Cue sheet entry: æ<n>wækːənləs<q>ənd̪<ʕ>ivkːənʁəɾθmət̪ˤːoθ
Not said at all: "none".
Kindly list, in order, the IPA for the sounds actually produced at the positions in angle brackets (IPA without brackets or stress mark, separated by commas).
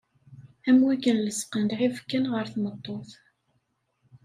m, q, ʕ